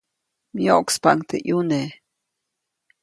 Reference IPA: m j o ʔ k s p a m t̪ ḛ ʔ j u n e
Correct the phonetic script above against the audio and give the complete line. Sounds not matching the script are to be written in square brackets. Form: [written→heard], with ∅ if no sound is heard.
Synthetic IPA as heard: m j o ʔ k s p a [m→ŋ] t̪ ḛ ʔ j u n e